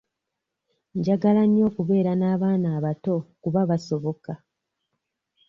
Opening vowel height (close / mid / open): open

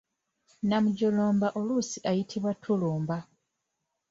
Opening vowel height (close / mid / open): open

